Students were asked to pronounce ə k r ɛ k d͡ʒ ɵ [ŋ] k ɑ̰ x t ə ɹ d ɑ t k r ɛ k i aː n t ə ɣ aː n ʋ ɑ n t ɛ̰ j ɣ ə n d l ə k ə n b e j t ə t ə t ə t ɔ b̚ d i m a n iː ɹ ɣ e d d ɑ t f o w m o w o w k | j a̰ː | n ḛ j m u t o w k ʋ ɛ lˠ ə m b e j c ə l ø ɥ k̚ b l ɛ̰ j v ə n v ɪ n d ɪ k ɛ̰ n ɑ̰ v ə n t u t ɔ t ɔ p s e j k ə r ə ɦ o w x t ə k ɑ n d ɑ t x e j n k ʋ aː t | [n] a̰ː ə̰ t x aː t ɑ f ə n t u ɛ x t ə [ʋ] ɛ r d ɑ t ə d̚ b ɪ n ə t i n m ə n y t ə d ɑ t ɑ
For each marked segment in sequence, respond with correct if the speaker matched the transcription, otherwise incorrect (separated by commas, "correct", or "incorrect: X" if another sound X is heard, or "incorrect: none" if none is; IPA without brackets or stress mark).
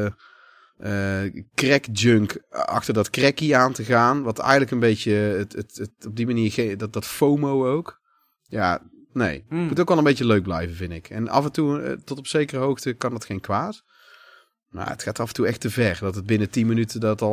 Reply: correct, incorrect: m, incorrect: v